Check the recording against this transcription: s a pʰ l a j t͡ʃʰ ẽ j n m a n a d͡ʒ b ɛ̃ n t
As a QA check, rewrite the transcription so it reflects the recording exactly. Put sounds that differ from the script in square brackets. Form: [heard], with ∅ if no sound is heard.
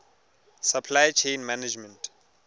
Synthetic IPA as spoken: s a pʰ l a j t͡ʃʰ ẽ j n m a n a d͡ʒ [m] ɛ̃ n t